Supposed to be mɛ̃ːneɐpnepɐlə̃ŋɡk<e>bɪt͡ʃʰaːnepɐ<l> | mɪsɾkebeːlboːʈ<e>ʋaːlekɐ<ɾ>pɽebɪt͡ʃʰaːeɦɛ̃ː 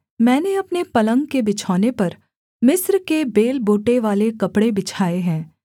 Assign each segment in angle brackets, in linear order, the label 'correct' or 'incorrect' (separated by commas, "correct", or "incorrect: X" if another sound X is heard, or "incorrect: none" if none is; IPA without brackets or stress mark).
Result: correct, incorrect: ɾ, correct, incorrect: none